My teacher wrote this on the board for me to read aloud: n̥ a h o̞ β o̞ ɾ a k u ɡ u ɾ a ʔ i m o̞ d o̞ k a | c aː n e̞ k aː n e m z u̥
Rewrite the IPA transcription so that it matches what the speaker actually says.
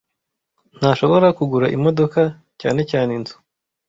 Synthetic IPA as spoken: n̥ a ʃ o̞ β o̞ ɾ a k u ɡ u ɾ a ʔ i m o̞ d o̞ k a | c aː n e̞ c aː n e n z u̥

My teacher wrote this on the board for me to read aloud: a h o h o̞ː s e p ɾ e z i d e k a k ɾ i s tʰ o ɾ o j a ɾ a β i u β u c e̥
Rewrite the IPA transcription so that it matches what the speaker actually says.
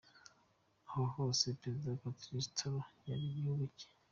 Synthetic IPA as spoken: a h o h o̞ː s e p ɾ e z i d a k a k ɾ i s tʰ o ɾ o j a ɾ i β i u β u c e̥

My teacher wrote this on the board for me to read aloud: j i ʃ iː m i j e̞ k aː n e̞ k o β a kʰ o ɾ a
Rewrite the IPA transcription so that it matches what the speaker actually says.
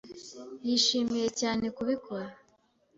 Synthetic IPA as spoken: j i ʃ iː m i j e̞ c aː n e̞ k u β i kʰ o ɾ a

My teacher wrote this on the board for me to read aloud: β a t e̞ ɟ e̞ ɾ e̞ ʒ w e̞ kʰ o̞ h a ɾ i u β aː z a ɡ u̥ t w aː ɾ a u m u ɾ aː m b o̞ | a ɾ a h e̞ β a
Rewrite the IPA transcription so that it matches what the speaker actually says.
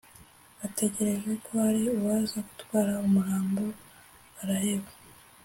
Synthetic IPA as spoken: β a t e̞ ɟ e̞ ɾ e̞ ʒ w e̞ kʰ o̞ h a ɾ i u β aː z a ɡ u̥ t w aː ɾ a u m u ɾ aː m b o̞ | a ɾ a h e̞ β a

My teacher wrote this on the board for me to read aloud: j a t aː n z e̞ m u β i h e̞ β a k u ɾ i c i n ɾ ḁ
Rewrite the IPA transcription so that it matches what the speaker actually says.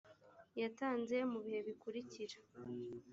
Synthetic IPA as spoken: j a t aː n z e̞ m u β i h e̞ β i k u ɾ i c i ɾ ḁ

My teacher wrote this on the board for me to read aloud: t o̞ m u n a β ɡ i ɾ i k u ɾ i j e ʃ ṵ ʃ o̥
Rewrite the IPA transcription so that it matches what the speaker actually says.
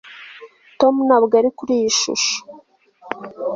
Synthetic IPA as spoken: t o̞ m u n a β ɡ a ɾ i k u ɾ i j i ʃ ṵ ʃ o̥

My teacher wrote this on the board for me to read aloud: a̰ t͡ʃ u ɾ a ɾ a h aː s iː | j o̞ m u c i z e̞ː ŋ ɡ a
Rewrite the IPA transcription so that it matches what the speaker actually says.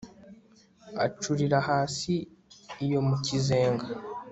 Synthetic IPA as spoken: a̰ t͡ʃ u ɾ i ɾ a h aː s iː | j o̞ m u c i z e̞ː ŋ ɡ a

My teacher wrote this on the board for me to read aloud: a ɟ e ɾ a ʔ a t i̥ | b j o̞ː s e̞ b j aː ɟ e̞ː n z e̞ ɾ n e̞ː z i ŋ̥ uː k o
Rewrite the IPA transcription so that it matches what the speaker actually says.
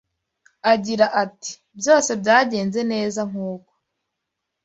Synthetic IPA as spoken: a ɟ i ɾ a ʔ a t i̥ | b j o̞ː s e̞ b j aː ɟ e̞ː n z e̞ n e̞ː z a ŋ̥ uː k o

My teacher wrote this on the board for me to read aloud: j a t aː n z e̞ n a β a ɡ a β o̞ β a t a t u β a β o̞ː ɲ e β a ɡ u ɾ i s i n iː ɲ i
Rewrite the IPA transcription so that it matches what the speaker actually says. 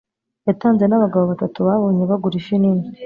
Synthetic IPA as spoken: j a t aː n z e̞ n a β a ɡ a β o̞ β a t a t u β a β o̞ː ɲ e β a ɡ u ɾ i ʃ i n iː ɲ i

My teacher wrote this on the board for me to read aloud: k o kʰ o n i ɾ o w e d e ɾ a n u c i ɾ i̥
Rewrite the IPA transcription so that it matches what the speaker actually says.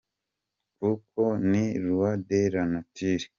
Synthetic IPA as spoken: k u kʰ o n i ɾ u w a d e ɾ a n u t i ɾ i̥

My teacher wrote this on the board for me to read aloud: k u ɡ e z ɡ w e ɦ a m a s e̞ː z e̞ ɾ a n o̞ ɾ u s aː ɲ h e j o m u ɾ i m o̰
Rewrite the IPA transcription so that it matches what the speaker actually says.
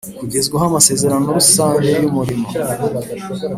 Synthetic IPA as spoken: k u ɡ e z ɡ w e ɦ a m a s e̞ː z e̞ ɾ a n o̞ ɾ u s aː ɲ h e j u m u ɾ i m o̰

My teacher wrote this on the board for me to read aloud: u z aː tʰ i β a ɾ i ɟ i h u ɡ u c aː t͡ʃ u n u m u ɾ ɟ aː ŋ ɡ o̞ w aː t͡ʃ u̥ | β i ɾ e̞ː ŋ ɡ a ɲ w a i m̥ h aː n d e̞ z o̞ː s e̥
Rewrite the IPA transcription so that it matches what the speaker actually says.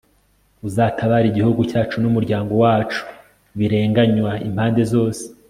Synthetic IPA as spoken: u z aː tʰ a β a ɾ i ɟ i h u ɡ u c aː t͡ʃ u n u m u ɾ ɟ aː ŋ ɡ o̞ w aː t͡ʃ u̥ | β i ɾ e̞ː ŋ ɡ a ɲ w a i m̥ h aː n d e̞ z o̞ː s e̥

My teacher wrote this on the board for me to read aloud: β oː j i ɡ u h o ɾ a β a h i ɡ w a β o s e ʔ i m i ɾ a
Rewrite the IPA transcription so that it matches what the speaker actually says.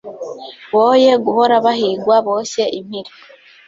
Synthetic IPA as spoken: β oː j e ɡ u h o ɾ a β a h i ɡ w a β o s e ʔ i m i ɾ i

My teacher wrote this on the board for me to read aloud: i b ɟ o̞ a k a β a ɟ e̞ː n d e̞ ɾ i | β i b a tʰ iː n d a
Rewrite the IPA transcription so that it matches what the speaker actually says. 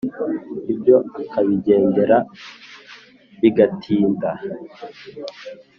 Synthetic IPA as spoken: i b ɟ o̞ a k a β i ɟ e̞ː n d e̞ ɾ a | β i ɡ a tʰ iː n d a

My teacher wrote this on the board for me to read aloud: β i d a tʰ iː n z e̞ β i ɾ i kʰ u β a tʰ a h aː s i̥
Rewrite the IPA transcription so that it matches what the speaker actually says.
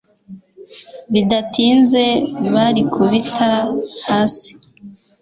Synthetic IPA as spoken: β i d a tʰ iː n z e̞ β a ɾ i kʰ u β i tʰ a h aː s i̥

